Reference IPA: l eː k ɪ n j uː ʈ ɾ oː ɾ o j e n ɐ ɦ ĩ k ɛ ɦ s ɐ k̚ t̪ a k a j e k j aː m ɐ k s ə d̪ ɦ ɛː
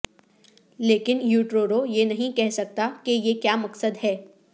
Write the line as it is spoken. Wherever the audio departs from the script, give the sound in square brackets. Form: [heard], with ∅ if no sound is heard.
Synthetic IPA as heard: l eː k ɪ n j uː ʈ ɾ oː ɾ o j e n ɐ ɦ ĩ k ɛ ɦ s ɐ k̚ t̪ a k [e] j e k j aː m ɐ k s ə d̪ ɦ ɛː

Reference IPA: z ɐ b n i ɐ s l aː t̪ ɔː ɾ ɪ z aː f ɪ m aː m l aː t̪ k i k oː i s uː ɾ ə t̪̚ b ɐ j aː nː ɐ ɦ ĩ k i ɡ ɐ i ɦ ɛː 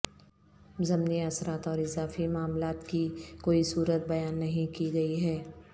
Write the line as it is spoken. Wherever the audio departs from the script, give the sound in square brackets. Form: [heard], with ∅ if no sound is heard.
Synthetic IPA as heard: z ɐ [m] n i ɐ s [ɾ] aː t̪ ɔː ɾ ɪ z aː f [i] m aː m l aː t̪ k i k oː i s uː ɾ ə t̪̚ b ɐ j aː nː ɐ ɦ ĩ k i ɡ ɐ i ɦ ɛː

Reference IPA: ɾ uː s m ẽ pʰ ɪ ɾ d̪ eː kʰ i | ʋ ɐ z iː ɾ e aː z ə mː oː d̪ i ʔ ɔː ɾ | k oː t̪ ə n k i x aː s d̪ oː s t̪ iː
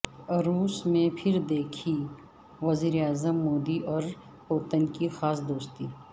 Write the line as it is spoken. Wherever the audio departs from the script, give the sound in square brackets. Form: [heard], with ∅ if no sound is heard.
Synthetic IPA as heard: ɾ uː s m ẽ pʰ ɪ ɾ d̪ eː kʰ i | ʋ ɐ z iː ɾ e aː z ə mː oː d̪ i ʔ ɔː ɾ | [p] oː t̪ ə n k i x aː s d̪ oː s t̪ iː

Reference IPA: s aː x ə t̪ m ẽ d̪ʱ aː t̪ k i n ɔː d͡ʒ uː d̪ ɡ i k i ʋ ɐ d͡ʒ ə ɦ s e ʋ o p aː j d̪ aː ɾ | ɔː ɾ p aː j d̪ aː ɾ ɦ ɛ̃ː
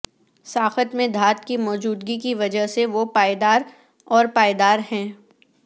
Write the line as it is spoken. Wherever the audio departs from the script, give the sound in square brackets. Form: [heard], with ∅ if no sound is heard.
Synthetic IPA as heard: s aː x ə t̪ m ẽ d̪ʱ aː t̪ k i [m] ɔː d͡ʒ uː d̪ ɡ i k i ʋ ɐ d͡ʒ ə ɦ s e ʋ o p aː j d̪ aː ɾ | ɔː ɾ p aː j d̪ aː ɾ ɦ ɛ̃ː

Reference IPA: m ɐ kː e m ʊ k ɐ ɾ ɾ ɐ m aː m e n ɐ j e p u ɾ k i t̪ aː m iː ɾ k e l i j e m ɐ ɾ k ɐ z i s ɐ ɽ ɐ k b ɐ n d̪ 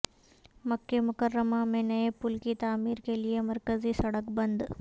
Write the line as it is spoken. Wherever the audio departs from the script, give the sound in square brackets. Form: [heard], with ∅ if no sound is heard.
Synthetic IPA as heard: m ɐ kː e m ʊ k ɐ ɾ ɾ ɐ m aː m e n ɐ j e p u [l] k i t̪ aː m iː ɾ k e l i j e m ɐ ɾ k ɐ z i s ɐ ɽ ɐ k b ɐ n d̪

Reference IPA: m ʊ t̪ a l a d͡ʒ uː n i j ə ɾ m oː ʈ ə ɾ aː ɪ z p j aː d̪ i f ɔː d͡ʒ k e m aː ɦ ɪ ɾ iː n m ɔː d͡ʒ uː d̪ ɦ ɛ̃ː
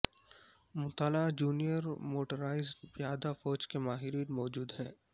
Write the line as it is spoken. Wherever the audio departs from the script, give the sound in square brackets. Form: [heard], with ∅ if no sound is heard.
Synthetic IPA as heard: m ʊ t̪ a l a d͡ʒ uː n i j ə ɾ m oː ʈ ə ɾ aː ɪ z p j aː d̪ [a] f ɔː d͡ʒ k e m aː ɦ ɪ ɾ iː n m ɔː d͡ʒ uː d̪ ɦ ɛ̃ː

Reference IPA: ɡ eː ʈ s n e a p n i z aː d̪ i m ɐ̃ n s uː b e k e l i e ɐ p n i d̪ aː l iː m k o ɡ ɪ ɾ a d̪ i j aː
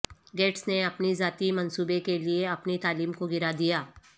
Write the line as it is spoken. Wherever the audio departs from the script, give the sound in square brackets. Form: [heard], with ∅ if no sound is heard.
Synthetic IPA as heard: ɡ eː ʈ s n e [ɐ] p n i z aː [t̪] i m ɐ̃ n s uː b e k e l i e ɐ p n i [t̪] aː l iː m k o ɡ ɪ ɾ a d̪ i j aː

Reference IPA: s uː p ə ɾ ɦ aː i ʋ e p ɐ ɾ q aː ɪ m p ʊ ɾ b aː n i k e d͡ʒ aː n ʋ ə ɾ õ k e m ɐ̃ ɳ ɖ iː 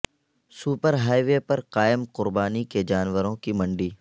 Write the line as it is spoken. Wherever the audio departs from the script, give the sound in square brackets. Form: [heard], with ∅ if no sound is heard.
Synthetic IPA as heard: s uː p ə ɾ ɦ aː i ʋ e p ɐ ɾ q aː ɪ m [q] ʊ ɾ b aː n i k e d͡ʒ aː n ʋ ə ɾ õ k [i] m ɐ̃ ɳ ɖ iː

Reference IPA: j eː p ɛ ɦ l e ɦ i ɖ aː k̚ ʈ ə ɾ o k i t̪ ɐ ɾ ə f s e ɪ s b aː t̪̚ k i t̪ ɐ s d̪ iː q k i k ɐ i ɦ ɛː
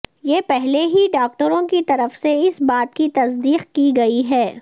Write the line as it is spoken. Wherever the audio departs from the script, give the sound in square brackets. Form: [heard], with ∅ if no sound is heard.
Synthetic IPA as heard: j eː p ɛ ɦ l e ɦ i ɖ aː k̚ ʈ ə ɾ [õ] k i t̪ ɐ ɾ ə f s e ɪ s b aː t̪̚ k i t̪ ɐ s d̪ iː q k i [ɡ] ɐ i ɦ ɛː

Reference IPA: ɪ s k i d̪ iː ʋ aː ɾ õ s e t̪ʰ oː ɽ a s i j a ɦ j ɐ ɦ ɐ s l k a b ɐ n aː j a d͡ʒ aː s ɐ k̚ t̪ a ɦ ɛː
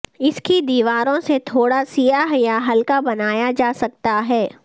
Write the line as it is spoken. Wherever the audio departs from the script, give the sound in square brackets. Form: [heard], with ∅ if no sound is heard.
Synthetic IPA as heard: ɪ s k i d̪ iː ʋ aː ɾ õ s e t̪ʰ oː ɽ a s i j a ɦ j [a] ɦ ɐ [∅] l k a b ɐ n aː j a d͡ʒ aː s ɐ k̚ t̪ a ɦ ɛː

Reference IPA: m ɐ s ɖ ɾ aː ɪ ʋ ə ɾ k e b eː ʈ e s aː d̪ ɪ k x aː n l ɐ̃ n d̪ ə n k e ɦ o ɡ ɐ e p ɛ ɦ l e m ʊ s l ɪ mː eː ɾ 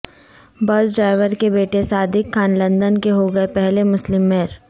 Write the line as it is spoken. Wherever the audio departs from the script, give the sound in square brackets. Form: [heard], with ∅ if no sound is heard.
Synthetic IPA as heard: [b] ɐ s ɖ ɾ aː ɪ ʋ ə ɾ k e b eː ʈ e s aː d̪ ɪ k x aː n l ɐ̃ n d̪ ə n k e ɦ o ɡ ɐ e p ɛ ɦ l e m ʊ s l ɪ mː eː ɾ

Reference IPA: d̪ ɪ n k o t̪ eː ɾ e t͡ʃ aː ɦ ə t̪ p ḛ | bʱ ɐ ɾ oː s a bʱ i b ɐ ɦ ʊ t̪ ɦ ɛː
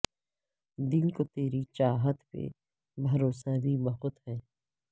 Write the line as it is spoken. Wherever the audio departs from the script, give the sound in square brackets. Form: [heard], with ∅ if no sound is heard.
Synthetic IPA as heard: d̪ ɪ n k o t̪ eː ɾ [i] t͡ʃ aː ɦ ə t̪ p ḛ | bʱ ɐ ɾ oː s a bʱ i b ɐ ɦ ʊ t̪ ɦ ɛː

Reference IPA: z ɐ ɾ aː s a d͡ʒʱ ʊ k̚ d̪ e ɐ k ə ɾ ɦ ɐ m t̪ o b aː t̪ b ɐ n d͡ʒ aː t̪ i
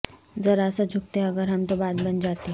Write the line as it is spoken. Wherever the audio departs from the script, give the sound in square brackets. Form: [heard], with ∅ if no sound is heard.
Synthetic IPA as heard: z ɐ ɾ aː s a d͡ʒʱ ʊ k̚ [t̪] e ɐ [ɡ] ə ɾ ɦ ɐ m t̪ o b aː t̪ b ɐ n d͡ʒ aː t̪ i

